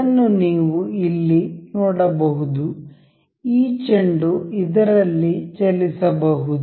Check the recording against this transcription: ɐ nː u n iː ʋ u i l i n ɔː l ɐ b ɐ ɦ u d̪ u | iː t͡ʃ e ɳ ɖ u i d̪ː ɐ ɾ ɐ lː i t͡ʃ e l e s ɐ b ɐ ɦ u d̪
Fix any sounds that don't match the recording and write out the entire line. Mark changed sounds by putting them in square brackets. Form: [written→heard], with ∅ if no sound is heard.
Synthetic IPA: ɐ nː u n iː ʋ u i [l→lː] i n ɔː [l→ɽ] ɐ b ɐ ɦ u d̪ u | iː t͡ʃ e ɳ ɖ u i [d̪ː→d̪] ɐ ɾ ɐ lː i t͡ʃ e l [e→i] s ɐ b ɐ ɦ u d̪